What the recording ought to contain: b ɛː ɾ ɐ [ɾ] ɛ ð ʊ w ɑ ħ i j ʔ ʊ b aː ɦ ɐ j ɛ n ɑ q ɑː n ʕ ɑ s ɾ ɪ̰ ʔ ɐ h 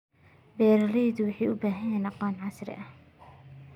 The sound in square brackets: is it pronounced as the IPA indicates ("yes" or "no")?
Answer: no